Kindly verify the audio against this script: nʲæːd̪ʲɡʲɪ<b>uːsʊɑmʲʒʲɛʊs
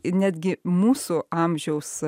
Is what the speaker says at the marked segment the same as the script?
no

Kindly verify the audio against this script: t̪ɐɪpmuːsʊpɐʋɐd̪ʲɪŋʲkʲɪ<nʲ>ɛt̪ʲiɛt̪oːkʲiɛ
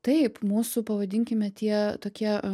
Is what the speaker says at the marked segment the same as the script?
no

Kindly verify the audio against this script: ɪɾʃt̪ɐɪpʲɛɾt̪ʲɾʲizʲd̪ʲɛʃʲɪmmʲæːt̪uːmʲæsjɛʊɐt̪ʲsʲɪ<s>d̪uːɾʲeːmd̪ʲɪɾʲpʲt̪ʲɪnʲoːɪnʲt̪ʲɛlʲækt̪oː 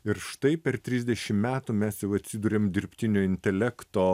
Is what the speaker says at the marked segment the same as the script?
no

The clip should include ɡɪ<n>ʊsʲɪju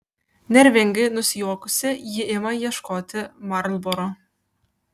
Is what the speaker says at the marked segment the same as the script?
yes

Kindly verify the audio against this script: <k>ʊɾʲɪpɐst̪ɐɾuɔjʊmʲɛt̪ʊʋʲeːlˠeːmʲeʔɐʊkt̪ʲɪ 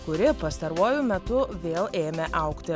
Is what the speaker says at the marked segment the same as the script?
yes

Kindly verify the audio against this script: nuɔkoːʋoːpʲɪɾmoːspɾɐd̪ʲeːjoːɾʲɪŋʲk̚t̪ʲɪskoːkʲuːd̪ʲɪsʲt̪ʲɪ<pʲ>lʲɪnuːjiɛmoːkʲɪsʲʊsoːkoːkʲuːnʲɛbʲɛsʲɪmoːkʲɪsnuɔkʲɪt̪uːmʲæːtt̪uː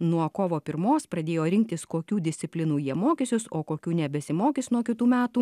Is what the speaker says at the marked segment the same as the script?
yes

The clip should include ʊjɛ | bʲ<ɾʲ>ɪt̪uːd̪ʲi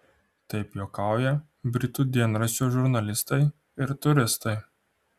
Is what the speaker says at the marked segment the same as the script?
yes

